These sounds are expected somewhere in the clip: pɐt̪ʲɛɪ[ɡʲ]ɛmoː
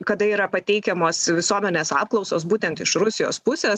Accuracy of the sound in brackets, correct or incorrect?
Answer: incorrect